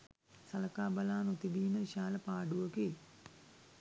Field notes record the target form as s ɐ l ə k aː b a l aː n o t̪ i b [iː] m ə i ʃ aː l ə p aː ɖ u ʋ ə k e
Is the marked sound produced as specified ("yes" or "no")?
yes